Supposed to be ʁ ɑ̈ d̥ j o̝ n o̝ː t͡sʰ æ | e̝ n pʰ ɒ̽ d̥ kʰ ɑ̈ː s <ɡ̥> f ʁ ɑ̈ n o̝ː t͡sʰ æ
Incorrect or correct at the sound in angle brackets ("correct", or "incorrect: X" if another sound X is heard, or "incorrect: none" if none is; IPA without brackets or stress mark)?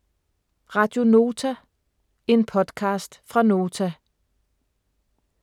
incorrect: d̥